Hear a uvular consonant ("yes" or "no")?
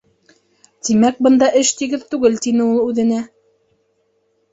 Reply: no